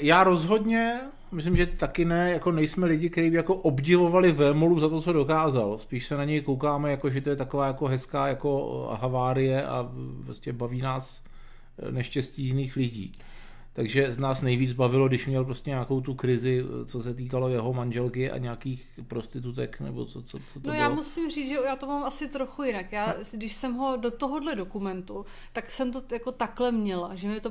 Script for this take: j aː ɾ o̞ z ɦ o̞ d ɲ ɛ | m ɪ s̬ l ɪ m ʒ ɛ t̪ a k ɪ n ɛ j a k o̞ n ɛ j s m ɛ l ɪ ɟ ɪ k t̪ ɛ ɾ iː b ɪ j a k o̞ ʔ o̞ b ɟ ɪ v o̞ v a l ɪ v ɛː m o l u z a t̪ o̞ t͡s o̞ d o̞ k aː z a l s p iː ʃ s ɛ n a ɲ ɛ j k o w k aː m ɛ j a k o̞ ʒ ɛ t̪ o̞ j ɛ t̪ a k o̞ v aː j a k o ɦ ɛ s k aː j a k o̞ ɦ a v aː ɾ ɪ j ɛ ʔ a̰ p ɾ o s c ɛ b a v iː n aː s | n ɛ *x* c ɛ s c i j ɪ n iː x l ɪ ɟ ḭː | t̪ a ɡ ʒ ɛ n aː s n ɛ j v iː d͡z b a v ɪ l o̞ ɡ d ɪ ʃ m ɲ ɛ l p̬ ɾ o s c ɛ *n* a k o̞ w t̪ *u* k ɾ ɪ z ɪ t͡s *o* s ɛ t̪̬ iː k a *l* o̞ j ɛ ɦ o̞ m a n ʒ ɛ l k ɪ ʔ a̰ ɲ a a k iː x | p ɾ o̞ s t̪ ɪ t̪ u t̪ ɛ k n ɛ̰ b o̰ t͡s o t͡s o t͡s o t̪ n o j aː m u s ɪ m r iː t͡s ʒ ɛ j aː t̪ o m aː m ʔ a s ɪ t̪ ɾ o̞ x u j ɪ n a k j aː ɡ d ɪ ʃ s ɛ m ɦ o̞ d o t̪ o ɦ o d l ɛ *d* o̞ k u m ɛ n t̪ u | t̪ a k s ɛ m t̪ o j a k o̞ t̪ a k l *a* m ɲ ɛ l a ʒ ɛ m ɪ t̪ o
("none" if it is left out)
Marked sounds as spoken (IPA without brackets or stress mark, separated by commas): ʃ, ɲ, u, o, l, d, ɛ